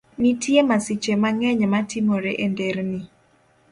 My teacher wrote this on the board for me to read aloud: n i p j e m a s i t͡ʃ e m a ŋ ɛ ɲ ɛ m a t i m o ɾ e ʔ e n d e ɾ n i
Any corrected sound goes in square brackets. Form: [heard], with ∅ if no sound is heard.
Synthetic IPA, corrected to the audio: n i [t] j e m a s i t͡ʃ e m a ŋ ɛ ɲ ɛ m a t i m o ɾ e ʔ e n d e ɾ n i